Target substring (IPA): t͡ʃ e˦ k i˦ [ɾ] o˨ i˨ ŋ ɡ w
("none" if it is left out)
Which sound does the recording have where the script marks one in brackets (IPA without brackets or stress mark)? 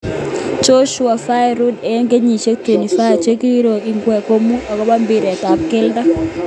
ɾ